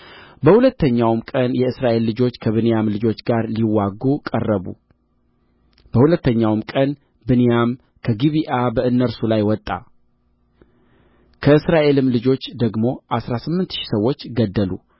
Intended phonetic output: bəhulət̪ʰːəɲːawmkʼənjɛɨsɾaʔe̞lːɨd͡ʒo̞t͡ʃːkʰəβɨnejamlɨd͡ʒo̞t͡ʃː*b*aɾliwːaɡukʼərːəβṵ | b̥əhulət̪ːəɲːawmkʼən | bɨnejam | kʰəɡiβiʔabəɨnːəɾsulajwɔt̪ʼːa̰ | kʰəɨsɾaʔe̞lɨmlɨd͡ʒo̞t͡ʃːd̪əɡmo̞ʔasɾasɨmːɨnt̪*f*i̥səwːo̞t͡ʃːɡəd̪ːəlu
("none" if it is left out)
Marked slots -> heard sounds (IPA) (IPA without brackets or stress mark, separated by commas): ɡ, ʃ